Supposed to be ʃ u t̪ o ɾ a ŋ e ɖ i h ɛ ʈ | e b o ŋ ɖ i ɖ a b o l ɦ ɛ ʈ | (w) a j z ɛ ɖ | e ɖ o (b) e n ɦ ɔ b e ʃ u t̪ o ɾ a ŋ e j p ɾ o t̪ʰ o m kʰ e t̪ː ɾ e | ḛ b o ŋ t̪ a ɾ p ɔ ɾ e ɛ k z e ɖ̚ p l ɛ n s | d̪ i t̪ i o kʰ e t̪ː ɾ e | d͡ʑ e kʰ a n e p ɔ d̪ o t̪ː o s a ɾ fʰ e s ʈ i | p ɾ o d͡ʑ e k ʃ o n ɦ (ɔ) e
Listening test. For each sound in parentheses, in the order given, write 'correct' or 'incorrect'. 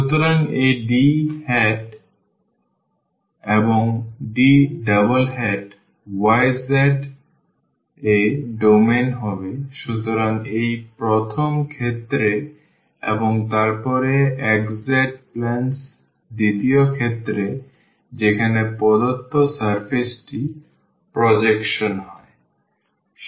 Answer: correct, incorrect, correct

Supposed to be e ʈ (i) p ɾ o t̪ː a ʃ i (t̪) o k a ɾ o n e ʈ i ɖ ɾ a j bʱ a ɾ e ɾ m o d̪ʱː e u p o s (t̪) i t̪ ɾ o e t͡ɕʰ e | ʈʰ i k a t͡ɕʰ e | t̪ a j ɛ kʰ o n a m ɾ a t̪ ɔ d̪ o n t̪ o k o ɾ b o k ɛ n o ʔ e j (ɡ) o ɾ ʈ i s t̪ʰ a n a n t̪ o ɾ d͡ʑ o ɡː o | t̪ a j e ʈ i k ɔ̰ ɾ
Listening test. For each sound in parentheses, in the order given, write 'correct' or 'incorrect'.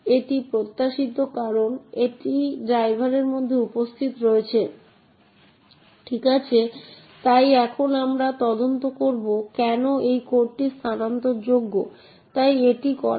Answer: correct, correct, incorrect, incorrect

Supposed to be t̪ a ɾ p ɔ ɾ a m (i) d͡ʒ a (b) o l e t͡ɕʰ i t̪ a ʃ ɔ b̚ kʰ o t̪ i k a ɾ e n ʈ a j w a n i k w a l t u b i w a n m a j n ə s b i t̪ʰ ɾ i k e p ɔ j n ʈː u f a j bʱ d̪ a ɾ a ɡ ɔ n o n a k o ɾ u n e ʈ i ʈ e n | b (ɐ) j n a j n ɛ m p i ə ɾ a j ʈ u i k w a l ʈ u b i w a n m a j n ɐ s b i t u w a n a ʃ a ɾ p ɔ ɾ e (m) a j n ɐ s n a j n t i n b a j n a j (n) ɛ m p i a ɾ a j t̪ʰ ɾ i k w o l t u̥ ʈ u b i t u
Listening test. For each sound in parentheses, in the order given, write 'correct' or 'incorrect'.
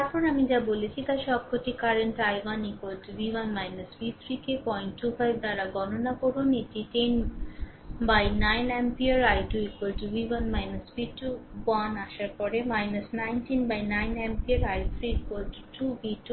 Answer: correct, correct, incorrect, correct, correct

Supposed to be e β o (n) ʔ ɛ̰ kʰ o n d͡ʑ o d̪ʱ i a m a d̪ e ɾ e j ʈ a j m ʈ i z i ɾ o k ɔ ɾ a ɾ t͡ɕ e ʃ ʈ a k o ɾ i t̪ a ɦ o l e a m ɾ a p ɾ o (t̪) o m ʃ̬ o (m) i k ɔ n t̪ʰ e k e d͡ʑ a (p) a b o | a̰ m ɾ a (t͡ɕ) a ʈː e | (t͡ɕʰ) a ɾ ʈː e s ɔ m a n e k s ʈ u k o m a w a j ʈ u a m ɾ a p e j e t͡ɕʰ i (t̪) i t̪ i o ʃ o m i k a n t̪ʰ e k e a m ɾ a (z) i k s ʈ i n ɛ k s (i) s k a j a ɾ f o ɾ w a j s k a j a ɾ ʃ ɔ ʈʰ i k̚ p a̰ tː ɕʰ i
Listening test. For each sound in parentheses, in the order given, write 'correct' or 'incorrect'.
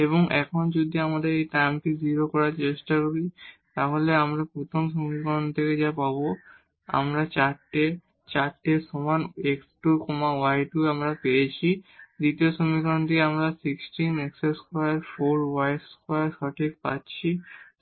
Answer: incorrect, incorrect, correct, correct, correct, incorrect, incorrect, incorrect, incorrect

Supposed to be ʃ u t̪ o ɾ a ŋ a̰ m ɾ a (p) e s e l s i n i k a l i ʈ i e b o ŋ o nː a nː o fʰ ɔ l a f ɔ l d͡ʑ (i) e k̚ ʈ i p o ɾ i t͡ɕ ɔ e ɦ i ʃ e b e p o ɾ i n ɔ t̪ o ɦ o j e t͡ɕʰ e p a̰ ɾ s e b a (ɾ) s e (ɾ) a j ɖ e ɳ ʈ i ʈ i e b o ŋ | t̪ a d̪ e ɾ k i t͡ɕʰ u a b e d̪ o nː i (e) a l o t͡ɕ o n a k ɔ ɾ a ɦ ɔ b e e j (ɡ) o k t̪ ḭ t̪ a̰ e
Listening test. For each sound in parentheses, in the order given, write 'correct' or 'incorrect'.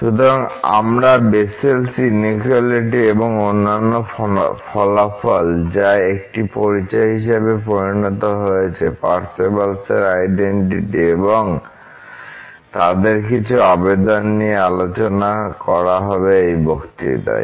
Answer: incorrect, incorrect, incorrect, correct, correct, incorrect

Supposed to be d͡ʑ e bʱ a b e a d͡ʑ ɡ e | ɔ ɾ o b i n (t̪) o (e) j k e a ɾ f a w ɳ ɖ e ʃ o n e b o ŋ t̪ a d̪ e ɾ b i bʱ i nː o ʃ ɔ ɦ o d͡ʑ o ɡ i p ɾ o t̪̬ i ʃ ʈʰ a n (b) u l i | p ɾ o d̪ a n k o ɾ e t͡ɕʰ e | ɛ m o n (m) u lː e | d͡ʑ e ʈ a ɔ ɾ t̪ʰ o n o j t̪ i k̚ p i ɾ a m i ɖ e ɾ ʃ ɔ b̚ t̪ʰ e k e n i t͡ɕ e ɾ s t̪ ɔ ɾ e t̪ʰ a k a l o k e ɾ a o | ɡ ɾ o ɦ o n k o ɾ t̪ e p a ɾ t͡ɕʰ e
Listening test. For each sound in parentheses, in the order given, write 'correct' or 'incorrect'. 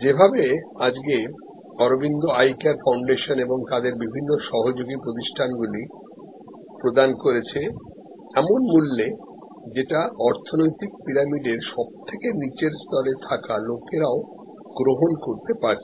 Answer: incorrect, incorrect, incorrect, correct

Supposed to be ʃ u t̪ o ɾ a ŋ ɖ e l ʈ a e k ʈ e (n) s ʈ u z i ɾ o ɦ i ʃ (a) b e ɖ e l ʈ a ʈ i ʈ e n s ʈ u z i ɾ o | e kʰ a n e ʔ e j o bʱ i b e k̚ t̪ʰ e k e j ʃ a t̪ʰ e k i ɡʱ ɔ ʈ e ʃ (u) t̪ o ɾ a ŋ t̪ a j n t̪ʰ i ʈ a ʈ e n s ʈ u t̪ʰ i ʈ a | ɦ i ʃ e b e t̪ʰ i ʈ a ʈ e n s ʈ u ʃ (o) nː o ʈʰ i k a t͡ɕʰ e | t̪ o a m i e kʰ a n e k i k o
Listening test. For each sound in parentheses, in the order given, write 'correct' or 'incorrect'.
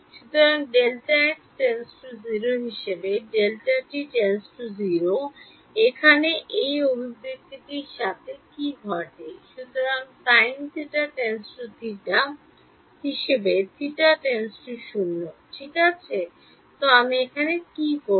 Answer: correct, incorrect, correct, incorrect

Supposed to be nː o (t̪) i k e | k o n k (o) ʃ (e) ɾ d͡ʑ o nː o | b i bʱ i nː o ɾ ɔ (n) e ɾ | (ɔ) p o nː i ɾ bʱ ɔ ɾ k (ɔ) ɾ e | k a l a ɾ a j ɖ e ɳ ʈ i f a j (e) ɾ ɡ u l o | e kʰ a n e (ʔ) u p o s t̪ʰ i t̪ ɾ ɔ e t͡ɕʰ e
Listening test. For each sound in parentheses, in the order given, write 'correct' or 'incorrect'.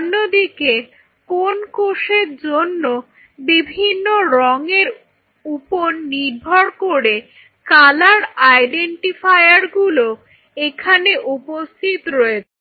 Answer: incorrect, correct, correct, incorrect, incorrect, incorrect, incorrect, correct

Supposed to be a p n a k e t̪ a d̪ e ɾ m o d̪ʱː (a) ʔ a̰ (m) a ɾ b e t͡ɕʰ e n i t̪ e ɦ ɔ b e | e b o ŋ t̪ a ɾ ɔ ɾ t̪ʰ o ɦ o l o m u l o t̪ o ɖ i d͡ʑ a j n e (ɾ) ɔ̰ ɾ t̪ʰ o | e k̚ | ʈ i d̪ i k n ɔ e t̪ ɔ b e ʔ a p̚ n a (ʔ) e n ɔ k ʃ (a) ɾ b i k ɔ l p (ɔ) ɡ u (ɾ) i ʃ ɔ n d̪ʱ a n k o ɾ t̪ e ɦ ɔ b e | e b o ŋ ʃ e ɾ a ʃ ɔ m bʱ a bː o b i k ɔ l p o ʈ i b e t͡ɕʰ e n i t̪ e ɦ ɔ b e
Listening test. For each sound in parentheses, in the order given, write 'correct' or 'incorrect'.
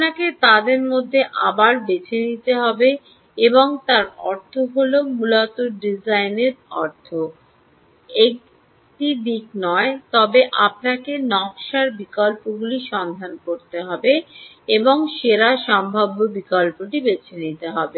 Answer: incorrect, incorrect, correct, incorrect, correct, incorrect, incorrect

